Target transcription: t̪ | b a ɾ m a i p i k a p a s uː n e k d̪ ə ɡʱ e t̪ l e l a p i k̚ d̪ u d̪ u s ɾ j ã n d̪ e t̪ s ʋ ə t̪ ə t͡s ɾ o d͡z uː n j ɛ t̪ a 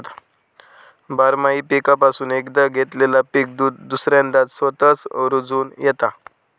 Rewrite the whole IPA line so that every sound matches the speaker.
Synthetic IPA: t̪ | b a ɾ m a i p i k a p a s uː n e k d̪ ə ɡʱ e t̪ l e l a p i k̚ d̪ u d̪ u s ɾ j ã n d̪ a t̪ s ʋ ə t̪ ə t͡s ɾ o d͡z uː n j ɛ t̪ a

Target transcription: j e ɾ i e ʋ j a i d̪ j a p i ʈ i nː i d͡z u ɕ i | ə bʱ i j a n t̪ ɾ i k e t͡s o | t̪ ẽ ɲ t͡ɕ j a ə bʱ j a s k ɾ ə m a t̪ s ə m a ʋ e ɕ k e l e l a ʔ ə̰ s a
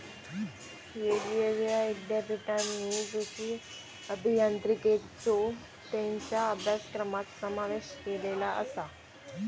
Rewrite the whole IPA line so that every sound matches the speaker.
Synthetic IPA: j e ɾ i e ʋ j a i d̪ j a p i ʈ a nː i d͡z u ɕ i | ə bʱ i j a n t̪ ɾ i k e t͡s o | t̪ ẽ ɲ t͡ɕ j a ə bʱ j a s k ɾ ə m a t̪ s ə m a ʋ e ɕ k e l e l a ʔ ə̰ s a

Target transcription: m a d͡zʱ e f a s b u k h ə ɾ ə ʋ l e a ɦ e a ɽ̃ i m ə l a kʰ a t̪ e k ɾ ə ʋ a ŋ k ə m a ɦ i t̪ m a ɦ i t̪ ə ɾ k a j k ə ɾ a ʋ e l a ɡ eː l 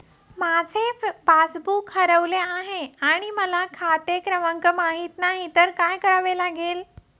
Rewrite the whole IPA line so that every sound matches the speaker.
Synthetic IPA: m a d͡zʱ e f a s b u k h ə ɾ ə ʋ l e a ɦ e a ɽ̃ i m ə l a kʰ a t̪ e k ɾ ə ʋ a ŋ k ə m a ɦ i t̪ n a ɦ i t̪ ə ɾ k a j k ə ɾ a ʋ e l a ɡ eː l

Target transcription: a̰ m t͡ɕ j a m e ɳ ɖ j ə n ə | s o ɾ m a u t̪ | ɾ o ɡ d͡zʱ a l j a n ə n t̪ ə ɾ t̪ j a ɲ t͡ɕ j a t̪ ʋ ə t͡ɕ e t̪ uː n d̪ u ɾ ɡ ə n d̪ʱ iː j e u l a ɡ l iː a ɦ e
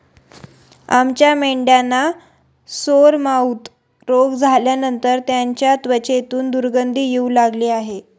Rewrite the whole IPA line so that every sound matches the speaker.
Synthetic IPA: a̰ m t͡ɕ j a m e ɳ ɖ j a n a | s o ɾ m a u t̪ | ɾ o ɡ d͡zʱ a l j a n ə n t̪ ə ɾ t̪ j a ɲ t͡ɕ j a t̪ ʋ ə t͡ɕ e t̪ uː n d̪ u ɾ ɡ ə n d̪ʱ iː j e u l a ɡ l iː a ɦ e

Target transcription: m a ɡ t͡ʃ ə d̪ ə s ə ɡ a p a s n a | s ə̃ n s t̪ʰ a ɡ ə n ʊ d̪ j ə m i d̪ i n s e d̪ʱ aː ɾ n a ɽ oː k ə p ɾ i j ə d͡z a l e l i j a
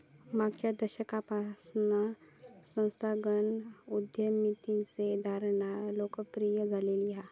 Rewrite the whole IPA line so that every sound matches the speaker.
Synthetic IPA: m a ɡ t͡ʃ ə d̪ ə ʃ ə k a p a s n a | s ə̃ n s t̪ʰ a ɡ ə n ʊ d̪ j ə m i t̪ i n s e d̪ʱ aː ɾ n a l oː k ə p ɾ i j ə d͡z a l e l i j a

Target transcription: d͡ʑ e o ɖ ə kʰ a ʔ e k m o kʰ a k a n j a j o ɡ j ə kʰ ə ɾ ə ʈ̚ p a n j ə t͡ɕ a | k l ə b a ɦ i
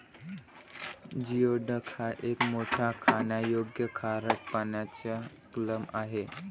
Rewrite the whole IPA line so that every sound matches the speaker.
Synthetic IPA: d͡ʑ i o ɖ ə kʰ a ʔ e k m o ʈʰ a kʰ a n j a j o ɡ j ə kʰ a ɾ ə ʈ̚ p a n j a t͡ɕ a | k l ə m a ɦ e

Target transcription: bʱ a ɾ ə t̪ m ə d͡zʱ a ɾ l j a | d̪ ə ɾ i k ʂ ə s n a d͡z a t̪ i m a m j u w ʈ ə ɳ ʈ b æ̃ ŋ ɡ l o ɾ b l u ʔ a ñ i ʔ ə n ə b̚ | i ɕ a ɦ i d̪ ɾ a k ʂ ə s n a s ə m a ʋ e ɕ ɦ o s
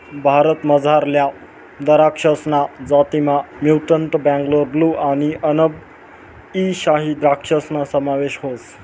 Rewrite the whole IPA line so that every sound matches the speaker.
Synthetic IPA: bʱ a ɾ ə t̪ m ə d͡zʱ a ɾ l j a | d̪ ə ɾ a k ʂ ə s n a d͡z a t̪ i m a m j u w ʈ ə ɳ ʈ b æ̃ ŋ ɡ l o ɾ b l u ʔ a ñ i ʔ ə n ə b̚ | i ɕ a ɦ i d̪ ɾ a k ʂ ə s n a s ə m a ʋ e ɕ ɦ o s

